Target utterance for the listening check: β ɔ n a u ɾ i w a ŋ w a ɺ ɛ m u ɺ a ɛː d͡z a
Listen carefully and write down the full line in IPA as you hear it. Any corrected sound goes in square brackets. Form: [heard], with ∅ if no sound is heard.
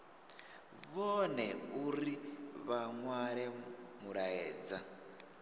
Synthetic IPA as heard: β ɔ n [ɛ] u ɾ i [β] a ŋ w a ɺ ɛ m u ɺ a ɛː d͡z a